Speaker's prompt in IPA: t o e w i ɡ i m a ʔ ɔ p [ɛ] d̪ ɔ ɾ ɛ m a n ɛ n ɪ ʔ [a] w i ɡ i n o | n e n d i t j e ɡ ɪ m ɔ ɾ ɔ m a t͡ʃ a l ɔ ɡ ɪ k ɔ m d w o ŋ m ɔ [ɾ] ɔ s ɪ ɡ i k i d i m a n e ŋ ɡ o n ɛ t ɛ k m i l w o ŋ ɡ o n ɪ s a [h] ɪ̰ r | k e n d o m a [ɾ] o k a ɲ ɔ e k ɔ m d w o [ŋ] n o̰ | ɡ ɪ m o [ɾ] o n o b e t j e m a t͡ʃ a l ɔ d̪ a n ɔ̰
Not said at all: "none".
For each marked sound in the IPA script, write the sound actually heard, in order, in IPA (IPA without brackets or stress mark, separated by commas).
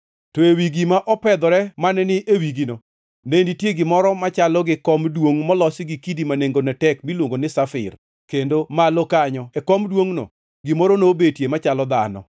ɛ, e, l, f, l, ŋ, ɾ